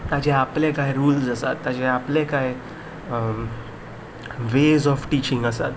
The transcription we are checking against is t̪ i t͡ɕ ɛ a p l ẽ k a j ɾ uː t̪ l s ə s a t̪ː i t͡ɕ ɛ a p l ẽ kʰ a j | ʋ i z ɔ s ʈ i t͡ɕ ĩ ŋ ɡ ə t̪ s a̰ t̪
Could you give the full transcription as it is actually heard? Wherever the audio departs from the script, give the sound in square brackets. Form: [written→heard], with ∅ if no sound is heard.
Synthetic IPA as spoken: t̪ [i→a] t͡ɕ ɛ a p l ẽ k a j ɾ uː [t̪→∅] l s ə s a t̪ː [i→a] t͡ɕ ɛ a p l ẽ [kʰ→k] a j | ʋ [i→e] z ɔ [s→f] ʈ i t͡ɕ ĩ ŋ ɡ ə [t̪→∅] s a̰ t̪